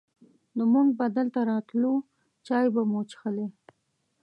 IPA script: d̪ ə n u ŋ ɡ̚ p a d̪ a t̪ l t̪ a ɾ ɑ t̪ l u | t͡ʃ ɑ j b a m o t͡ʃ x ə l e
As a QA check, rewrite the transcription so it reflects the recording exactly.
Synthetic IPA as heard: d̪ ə m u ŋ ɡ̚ b a d̪ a l t̪ a ɾ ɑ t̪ l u | t͡ʃ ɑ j b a m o t͡ʃ x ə l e